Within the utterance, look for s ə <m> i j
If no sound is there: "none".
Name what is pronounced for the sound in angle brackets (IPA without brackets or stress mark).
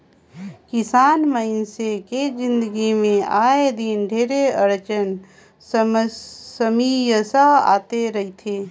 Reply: m